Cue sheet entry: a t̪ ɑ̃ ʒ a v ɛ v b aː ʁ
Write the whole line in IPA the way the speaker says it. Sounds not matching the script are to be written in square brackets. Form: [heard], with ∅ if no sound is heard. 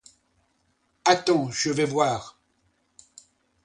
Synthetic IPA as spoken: a t̪ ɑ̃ ʒ [ə] v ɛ v [w] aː ʁ